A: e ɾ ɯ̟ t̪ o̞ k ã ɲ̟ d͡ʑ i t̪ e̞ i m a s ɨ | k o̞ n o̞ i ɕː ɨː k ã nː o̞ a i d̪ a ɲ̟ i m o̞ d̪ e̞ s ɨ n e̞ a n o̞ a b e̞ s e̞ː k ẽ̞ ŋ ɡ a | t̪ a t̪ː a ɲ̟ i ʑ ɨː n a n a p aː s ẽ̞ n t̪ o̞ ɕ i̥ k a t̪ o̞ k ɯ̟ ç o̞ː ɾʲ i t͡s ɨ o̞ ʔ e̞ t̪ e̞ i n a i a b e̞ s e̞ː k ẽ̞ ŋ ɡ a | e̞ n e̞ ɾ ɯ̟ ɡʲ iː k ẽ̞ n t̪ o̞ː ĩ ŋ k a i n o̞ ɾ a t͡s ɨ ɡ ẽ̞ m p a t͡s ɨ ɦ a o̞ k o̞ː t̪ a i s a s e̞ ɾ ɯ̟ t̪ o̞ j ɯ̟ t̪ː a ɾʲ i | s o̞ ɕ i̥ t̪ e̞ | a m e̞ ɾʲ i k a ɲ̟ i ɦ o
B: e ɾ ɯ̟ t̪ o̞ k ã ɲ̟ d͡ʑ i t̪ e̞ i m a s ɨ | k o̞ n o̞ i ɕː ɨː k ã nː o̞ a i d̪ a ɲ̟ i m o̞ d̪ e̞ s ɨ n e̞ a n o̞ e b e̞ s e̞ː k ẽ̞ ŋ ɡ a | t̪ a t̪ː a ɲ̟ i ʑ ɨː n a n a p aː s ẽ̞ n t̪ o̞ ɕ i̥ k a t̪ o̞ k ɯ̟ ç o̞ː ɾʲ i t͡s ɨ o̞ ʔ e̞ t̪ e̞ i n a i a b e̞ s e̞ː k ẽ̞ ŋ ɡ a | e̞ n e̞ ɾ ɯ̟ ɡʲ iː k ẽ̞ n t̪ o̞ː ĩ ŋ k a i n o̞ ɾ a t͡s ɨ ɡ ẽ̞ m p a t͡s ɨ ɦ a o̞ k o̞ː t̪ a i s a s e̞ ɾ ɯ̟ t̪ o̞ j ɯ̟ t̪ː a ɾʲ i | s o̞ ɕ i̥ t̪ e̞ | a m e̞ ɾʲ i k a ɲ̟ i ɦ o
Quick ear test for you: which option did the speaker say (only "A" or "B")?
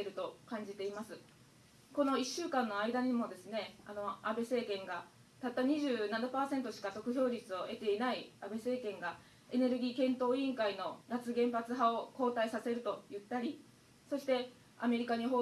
A